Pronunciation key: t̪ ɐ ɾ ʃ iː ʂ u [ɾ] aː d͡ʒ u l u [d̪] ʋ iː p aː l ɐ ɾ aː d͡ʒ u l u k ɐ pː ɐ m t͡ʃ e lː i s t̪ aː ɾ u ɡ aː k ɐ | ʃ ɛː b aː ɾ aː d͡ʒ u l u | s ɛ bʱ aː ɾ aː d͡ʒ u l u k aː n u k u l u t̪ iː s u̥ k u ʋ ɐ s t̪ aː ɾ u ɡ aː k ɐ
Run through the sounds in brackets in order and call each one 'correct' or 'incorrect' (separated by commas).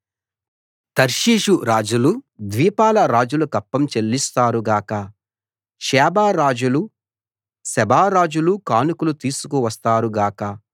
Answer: correct, correct